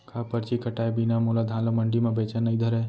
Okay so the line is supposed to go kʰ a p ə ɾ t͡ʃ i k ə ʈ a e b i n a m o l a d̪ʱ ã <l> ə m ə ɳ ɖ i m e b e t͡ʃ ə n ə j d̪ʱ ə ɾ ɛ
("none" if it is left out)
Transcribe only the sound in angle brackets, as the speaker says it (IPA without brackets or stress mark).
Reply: l